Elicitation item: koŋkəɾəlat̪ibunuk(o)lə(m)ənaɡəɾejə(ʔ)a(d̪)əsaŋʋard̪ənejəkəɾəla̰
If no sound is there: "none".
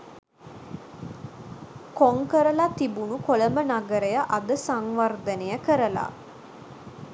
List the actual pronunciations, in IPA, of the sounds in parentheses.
o, m, ʔ, d̪

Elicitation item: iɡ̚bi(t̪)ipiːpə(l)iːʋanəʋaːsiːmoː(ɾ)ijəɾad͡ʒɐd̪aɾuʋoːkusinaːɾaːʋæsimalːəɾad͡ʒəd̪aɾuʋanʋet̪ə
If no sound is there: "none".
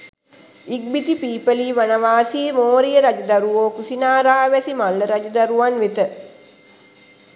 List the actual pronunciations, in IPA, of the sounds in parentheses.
t̪, l, ɾ

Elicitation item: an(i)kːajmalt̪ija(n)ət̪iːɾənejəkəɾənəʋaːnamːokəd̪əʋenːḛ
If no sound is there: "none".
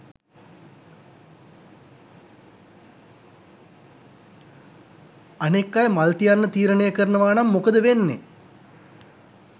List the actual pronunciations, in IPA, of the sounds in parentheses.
e, nː

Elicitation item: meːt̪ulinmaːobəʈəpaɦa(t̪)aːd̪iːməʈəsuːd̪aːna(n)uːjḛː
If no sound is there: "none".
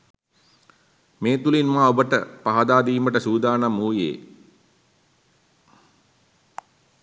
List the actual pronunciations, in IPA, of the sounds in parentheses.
d̪, m

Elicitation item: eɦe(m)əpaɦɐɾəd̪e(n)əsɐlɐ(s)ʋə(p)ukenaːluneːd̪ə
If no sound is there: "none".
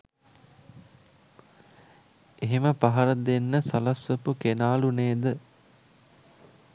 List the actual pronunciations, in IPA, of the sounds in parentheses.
m, nː, s, p

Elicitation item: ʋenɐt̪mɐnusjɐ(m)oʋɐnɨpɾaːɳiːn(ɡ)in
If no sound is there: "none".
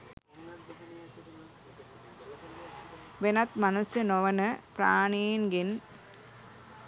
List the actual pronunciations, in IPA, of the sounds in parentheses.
n, ɡ

